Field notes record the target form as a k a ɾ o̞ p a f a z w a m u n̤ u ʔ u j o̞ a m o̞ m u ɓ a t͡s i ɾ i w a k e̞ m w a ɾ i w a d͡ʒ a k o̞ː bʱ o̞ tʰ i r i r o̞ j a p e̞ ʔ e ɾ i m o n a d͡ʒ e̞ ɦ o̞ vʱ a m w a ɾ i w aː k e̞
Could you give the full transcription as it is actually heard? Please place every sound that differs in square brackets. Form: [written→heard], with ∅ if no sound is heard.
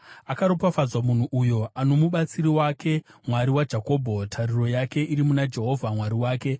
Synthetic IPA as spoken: a k a ɾ o̞ p a f a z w a m u n̤ u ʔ u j o̞ a [m→n] o̞ m u ɓ a t͡s i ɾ i w a k e̞ m w a ɾ i w a d͡ʒ a k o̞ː bʱ o̞ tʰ [i→a] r i r o̞ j a [p→k] e̞ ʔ [e→i] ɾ i m [o→u] n a d͡ʒ e̞ ɦ o̞ vʱ a m w a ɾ i w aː k e̞